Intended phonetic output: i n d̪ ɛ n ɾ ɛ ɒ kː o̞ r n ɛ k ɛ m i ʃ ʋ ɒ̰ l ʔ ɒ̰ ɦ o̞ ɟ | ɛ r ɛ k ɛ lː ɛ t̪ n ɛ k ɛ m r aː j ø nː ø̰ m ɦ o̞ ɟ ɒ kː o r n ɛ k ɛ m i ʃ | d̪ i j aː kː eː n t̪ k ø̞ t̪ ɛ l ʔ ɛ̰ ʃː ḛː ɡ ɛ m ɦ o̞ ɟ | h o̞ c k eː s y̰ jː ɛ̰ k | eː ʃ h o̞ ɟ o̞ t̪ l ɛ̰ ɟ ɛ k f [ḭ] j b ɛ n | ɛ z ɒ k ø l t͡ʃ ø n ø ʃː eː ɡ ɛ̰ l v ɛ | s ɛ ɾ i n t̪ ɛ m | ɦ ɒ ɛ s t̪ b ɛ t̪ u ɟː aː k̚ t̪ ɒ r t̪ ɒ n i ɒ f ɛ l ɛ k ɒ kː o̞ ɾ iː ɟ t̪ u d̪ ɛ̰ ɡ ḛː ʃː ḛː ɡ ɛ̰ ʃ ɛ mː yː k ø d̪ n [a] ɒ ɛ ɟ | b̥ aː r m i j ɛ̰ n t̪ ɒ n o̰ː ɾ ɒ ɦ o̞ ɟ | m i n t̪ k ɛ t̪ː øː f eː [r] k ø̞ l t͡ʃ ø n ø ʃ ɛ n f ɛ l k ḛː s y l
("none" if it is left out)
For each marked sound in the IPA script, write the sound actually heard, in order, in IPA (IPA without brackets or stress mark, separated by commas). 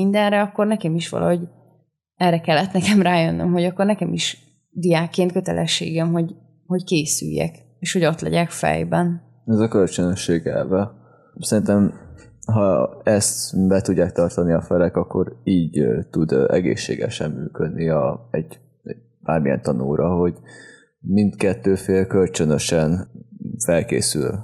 ɛ̰, i, l